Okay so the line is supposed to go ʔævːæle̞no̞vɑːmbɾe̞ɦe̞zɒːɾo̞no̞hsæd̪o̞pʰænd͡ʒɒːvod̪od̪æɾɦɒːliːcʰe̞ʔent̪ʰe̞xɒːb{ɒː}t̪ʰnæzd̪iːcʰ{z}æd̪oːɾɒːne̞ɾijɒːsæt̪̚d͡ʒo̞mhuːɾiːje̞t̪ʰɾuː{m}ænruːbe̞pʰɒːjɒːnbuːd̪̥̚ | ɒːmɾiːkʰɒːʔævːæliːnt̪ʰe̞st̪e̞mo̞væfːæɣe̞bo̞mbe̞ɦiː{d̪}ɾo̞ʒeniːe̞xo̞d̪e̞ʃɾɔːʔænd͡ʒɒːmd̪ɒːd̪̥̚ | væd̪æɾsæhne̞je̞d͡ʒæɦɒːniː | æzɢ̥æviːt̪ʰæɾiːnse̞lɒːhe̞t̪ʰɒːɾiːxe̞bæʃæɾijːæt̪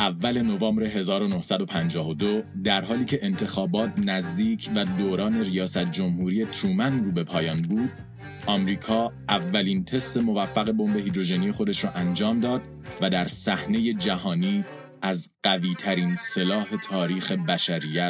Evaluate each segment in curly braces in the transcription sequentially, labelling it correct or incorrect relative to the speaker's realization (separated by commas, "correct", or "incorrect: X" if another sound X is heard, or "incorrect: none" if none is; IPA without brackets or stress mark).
correct, incorrect: v, correct, correct